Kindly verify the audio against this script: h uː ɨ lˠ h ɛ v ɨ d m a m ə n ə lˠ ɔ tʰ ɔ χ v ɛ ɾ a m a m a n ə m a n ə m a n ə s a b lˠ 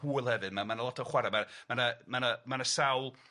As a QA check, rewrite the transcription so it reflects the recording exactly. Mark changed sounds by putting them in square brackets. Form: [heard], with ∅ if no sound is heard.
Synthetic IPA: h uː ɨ lˠ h ɛ v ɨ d m a m [a] n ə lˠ ɔ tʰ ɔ χ [w] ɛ ɾ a m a m a n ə m a n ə m a n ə s a [w] lˠ